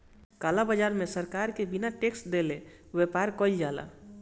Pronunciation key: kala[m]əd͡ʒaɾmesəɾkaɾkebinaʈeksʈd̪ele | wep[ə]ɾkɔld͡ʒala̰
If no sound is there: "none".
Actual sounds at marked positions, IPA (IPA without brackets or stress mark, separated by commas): b, a